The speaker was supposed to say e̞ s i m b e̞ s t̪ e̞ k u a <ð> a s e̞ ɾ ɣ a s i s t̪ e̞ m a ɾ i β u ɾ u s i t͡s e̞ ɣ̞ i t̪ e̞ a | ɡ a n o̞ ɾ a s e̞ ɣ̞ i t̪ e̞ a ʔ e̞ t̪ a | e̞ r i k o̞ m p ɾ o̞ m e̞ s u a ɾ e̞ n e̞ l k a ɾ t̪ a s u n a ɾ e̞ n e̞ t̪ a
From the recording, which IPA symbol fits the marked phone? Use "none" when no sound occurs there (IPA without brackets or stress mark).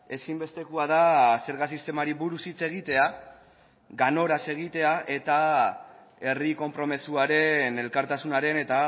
ð